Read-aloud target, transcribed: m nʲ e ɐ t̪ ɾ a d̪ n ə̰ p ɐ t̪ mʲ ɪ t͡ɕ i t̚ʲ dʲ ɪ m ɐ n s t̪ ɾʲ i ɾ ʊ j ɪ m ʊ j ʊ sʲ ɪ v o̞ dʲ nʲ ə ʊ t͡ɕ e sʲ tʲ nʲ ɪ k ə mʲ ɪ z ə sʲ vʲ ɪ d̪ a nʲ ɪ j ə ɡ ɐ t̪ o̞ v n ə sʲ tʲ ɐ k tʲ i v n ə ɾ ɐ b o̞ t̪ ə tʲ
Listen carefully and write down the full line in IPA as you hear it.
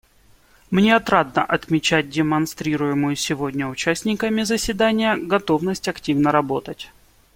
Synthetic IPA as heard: m nʲ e ɐ t̪ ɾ a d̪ n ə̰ ʔ ɐ t̪ mʲ ɪ t͡ɕ æ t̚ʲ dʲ ɪ m ɐ n s t̪ ɾʲ i ɾ ʊ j ɪ m ʊ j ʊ sʲ ɪ v o̞ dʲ nʲ ə ʊ t͡ɕ æ sʲ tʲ nʲ ɪ k ə mʲ ɪ z ə sʲ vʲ ɪ d̪ a nʲ ɪ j ə ɡ ɐ t̪ o̞ v n ə sʲ tʲ ɐ k tʲ i v n ə ɾ ɐ b o̞ t̪ ə tʲ

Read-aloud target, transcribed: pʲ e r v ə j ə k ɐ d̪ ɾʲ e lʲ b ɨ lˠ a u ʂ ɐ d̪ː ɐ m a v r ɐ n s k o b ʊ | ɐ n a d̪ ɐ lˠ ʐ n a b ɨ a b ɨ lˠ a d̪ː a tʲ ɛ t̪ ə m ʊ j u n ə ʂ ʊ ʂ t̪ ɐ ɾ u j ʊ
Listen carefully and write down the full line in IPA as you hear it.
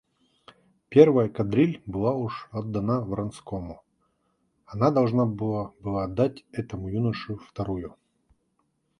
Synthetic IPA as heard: pʲ e r v ə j ə k ɐ d̪ ɾʲ i lʲ b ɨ lˠ a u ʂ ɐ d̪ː ɐ n a v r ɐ n s k o m ʊ | ɐ n a d̪ ɐ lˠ ʐ n a b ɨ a b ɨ lˠ a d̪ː a tʲ ɛ t̪ ə m ʊ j u n ə ʂ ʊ f t̪ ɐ ɾ u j ʊ

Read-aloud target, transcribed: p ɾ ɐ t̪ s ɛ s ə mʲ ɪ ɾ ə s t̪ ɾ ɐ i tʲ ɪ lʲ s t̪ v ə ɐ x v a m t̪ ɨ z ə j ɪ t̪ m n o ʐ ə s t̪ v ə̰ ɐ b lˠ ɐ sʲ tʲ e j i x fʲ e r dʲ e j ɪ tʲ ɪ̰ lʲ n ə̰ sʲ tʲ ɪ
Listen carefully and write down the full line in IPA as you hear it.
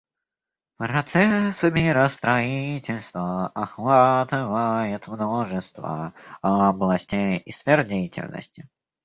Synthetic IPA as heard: p ɾ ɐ t̪ s ɛ s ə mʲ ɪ ɾ ə s t̪ ɾ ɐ i tʲ ɪ lʲ s t̪ v ə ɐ x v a t̪ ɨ v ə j ɪ t̪ m n o ʐ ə s t̪ v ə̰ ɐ b lˠ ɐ sʲ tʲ e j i s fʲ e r dʲ e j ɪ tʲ ɪ̰ lʲ n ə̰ sʲ tʲ ɪ

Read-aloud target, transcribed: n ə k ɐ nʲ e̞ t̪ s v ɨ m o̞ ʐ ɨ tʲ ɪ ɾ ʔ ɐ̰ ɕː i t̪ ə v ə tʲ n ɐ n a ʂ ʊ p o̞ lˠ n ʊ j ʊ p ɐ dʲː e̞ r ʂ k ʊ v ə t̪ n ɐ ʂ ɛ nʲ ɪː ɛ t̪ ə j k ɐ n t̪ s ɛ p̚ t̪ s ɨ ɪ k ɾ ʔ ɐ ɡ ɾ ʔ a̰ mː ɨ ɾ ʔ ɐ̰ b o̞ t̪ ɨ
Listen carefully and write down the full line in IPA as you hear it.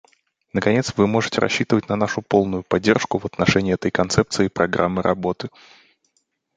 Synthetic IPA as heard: n ə k ɐ nʲ e̞ t̪ s v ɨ m o̞ ʐ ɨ tʲ ɪ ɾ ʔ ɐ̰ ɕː i t̪ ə v ə tʲ n ɐ n a ʂ ʊ p o̞ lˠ n ʊ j ʊ p ɐ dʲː e̞ r ʂ k ʊ v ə t̪ n ɐ ʂ ɛ nʲ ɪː ɛ t̪ ə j k ɐ n t̪ s ɛ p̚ t̪ s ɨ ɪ p ɾ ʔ ɐ ɡ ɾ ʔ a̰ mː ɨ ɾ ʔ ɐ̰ b o̞ t̪ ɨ

